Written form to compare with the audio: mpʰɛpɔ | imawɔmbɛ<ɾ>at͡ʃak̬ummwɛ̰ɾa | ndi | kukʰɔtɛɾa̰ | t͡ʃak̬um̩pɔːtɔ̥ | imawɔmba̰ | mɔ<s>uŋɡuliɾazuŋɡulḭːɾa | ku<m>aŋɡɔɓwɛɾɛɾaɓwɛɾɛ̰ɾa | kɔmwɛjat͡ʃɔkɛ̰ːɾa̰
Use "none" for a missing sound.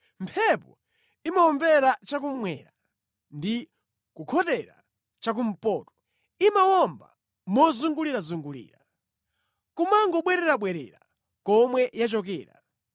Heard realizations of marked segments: ɾ, z, m

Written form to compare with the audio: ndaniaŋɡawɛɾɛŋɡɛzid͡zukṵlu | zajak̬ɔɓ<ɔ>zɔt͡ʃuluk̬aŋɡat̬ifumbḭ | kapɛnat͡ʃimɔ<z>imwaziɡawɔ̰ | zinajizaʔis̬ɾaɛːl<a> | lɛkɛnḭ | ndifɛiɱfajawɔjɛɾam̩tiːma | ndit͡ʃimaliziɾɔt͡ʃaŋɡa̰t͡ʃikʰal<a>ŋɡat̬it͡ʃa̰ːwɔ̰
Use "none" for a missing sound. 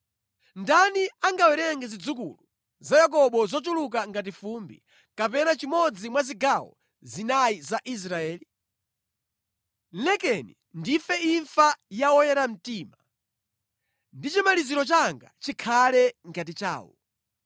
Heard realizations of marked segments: ɔ, d͡z, i, ɛ

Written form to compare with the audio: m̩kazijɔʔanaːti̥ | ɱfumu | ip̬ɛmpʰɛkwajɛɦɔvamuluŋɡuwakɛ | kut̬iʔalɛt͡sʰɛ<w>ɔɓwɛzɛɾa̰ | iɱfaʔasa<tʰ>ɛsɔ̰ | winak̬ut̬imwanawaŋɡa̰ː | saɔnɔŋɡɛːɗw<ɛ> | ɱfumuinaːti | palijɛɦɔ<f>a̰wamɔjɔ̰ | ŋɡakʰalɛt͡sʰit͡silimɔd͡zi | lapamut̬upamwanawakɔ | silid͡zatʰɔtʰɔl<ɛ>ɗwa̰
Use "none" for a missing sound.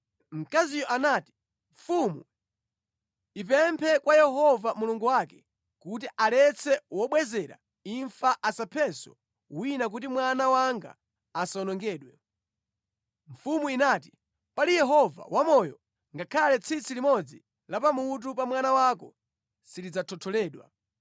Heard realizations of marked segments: w, pʰ, ɛ, v, ɛː

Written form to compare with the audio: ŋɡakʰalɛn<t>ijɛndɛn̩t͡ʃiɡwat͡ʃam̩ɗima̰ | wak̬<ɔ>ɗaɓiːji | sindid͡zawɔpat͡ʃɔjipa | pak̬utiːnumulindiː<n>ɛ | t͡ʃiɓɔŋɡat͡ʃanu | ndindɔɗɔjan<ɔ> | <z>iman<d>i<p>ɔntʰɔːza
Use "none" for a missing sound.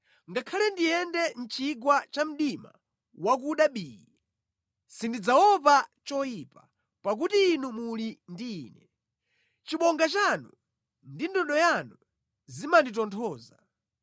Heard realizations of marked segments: d, u, n, u, z, d, t

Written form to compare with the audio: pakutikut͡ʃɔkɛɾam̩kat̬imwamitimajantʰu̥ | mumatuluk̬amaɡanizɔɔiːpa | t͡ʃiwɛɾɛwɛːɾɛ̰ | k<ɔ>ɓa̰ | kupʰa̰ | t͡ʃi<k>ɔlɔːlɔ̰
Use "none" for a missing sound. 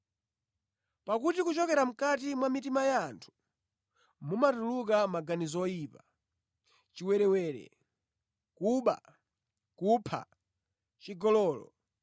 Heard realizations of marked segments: u, ɡ

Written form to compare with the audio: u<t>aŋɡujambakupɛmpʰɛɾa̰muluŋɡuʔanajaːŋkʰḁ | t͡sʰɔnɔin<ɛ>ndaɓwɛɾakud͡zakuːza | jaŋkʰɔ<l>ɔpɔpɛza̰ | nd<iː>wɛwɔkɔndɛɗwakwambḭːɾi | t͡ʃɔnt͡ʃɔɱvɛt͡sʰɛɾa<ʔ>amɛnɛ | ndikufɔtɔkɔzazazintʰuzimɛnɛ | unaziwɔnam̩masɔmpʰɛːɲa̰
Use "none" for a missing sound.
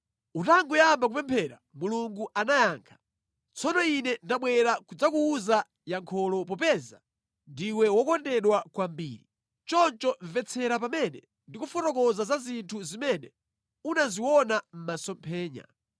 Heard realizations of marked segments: t, ɛ, l, i, p

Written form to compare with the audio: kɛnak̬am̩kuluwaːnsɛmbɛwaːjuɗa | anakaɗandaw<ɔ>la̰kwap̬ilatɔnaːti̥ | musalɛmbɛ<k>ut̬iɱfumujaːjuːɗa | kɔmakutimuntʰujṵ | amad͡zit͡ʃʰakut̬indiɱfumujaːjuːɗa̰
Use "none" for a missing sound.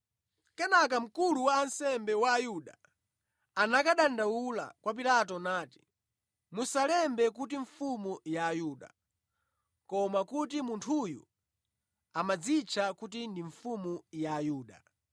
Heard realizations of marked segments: u, k

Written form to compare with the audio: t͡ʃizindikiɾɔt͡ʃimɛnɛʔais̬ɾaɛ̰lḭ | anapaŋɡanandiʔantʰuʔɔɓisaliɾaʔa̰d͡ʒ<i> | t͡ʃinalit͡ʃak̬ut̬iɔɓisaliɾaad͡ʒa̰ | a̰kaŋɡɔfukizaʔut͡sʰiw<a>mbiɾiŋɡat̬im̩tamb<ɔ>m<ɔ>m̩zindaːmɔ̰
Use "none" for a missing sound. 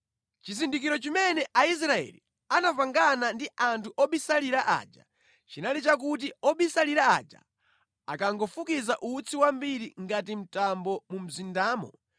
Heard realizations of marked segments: a, a, ɔ, u

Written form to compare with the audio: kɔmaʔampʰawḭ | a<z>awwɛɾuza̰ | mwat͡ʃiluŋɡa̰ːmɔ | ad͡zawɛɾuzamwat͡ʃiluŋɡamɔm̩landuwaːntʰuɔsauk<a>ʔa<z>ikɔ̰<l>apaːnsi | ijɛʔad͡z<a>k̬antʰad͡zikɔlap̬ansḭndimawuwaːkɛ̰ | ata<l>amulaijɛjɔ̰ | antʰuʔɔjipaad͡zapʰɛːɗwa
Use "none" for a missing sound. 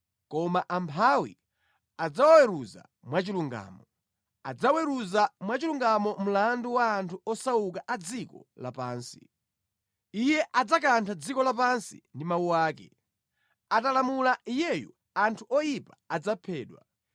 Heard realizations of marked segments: d͡z, a, d͡z, l, a, l

